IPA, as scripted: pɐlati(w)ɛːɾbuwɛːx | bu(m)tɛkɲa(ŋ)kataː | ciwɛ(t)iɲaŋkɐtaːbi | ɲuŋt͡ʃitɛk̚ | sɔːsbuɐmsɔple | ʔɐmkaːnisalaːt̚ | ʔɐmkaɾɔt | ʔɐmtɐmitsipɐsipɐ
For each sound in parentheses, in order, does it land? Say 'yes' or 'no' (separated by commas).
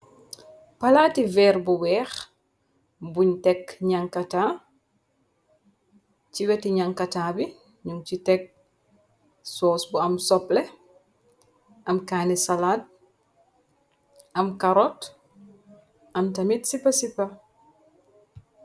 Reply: no, no, yes, yes